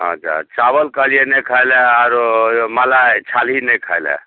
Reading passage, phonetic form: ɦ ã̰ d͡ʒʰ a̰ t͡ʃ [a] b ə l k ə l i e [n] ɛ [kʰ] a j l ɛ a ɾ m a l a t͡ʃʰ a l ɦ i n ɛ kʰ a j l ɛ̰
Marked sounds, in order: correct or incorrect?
correct, correct, correct

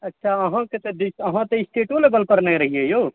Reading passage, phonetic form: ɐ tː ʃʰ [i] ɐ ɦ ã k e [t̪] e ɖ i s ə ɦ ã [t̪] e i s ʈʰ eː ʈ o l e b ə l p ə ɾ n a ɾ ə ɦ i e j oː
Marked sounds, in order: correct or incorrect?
incorrect, correct, correct

